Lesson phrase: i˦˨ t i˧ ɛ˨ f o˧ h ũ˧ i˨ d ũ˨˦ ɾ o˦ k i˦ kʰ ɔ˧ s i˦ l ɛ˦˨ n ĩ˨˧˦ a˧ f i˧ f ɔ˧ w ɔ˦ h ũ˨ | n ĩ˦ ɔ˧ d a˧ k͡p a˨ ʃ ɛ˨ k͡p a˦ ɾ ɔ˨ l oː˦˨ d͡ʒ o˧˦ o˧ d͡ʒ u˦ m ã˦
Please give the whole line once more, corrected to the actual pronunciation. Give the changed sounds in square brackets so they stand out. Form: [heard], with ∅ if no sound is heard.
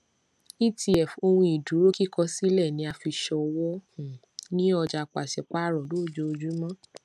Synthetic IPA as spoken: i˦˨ t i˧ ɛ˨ f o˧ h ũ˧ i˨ d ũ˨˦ ɾ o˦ k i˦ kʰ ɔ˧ s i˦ l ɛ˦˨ n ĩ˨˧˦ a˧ f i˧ [ʃ] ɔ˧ w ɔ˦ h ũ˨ | n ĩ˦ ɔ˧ [d͡ʒ] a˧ k͡p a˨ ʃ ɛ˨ k͡p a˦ ɾ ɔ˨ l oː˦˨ d͡ʒ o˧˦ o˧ d͡ʒ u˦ m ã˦